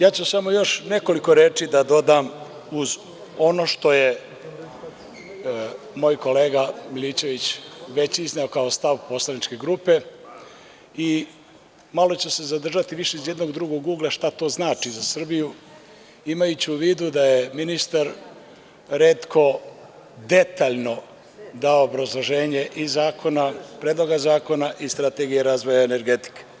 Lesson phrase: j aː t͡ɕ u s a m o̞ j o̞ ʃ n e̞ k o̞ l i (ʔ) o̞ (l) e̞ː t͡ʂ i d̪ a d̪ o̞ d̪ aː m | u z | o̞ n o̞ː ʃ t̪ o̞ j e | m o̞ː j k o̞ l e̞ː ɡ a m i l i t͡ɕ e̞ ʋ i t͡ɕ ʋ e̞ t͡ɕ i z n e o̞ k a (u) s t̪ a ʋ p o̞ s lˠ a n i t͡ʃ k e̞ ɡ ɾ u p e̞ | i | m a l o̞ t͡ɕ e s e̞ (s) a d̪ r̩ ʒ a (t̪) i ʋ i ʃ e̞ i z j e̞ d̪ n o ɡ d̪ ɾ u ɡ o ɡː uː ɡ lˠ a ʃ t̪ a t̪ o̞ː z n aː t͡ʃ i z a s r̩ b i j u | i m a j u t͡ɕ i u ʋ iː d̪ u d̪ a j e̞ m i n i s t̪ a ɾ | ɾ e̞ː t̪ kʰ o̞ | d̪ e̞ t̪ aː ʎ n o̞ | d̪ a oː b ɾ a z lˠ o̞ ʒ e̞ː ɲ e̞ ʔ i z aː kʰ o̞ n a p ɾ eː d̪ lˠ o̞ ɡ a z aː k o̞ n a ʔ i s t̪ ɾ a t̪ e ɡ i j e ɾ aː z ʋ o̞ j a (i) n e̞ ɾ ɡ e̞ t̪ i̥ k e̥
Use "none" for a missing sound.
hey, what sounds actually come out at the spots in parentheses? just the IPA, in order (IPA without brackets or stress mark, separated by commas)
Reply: k, ɾ, o, z, t̪, e